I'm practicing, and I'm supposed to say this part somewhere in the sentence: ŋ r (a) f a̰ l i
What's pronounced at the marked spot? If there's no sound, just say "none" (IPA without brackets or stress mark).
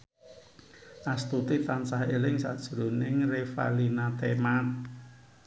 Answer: e